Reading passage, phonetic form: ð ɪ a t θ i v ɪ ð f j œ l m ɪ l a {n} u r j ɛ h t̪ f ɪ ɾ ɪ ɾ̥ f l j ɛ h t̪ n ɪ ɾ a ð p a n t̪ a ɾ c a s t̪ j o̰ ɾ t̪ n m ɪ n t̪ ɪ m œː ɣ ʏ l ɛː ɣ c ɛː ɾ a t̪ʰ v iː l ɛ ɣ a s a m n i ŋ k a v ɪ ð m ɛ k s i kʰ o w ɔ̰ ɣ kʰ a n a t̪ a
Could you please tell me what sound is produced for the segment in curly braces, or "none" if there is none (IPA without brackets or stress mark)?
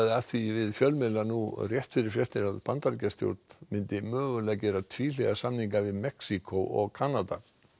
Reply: n